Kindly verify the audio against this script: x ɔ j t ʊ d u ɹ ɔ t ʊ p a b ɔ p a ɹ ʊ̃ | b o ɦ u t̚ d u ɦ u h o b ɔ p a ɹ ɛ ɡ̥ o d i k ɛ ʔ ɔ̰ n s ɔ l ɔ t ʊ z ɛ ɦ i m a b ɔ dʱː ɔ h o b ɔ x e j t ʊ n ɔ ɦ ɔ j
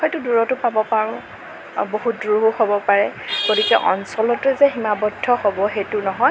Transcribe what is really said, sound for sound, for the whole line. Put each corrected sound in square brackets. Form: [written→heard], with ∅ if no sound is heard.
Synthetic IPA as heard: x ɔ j t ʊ d u ɹ ɔ t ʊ p a b ɔ p a ɹ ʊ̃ | b o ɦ u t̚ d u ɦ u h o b ɔ p a ɹ ɛ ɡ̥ o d i k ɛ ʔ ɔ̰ n s ɔ l ɔ t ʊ z ɛ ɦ i m a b ɔ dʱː ɔ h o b ɔ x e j t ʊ n ɔ ɦ ɔ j